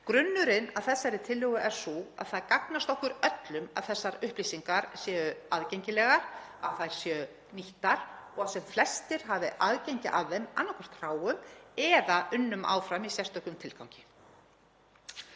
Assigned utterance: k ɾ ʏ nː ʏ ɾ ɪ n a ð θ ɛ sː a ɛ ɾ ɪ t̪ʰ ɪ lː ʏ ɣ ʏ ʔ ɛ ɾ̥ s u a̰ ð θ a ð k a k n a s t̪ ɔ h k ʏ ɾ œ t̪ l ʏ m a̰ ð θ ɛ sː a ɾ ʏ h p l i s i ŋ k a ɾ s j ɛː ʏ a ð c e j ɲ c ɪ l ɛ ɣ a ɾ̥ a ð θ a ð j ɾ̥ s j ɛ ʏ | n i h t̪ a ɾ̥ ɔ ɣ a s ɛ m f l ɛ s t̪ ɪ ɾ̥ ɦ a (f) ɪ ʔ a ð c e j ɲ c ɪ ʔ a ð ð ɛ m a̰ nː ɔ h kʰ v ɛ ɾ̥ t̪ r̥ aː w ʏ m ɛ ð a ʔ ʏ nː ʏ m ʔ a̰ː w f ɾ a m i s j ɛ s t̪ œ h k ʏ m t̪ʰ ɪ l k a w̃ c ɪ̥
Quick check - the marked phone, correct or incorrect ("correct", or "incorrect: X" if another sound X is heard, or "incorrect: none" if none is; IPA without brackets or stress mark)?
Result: incorrect: v